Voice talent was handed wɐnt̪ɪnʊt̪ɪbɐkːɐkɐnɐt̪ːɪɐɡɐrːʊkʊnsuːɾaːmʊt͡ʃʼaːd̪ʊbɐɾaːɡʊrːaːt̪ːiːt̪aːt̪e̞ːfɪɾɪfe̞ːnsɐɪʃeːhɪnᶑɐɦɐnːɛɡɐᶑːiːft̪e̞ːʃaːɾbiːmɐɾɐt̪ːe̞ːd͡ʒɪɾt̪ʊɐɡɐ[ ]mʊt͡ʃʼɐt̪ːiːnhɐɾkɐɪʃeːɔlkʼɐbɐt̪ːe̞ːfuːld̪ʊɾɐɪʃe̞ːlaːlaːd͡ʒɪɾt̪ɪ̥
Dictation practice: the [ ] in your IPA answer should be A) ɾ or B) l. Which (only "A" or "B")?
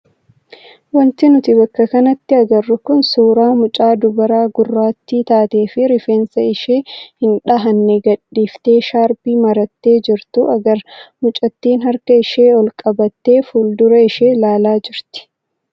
A